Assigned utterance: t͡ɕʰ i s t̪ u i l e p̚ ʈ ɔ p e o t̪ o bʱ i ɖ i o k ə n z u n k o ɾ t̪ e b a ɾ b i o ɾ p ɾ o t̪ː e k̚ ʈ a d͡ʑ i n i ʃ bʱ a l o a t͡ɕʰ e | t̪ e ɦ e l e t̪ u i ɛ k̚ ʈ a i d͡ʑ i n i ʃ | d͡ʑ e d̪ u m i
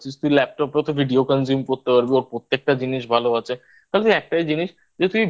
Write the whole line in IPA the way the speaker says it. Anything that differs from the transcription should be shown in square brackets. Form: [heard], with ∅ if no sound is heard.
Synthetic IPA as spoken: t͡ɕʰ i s t̪ u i l [ɛ] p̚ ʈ ɔ p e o t̪ o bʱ i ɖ i o k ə n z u [m] k o ɾ t̪ e [p] a ɾ b i o ɾ p ɾ o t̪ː e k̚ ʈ a d͡ʑ i n i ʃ bʱ a l o a t͡ɕʰ e | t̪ [a] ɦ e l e t̪ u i ɛ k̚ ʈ a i d͡ʑ i n i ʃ | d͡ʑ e [t̪] u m i